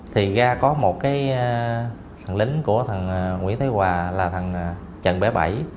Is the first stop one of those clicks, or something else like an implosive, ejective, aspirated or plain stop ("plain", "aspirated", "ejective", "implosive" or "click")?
aspirated